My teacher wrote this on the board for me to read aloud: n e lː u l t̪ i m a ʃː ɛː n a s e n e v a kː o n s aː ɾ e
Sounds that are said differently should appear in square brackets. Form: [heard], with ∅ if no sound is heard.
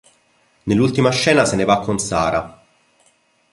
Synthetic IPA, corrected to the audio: n e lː u l t̪ i m a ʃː ɛː n a s e n e v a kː o n s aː ɾ [a]